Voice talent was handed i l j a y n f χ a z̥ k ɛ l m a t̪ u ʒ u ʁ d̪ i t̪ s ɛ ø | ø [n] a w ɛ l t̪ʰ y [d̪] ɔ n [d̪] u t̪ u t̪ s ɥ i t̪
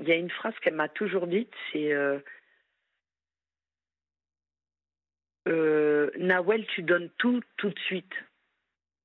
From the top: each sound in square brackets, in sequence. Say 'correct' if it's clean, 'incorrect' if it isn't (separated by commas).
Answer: correct, correct, incorrect